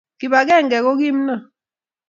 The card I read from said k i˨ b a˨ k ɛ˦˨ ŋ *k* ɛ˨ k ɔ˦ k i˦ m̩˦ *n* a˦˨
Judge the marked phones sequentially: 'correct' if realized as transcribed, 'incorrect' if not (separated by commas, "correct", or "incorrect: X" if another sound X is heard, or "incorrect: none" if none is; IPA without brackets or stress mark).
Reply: incorrect: ɡ, correct